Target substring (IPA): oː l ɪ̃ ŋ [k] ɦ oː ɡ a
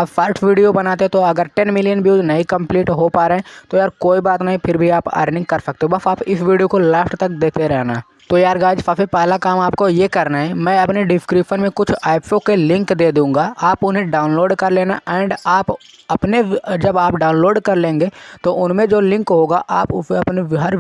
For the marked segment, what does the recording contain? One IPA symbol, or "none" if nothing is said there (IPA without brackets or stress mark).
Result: k